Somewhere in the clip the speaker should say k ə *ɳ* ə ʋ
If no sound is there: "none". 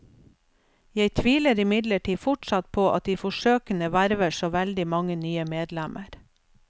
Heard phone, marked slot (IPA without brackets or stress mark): n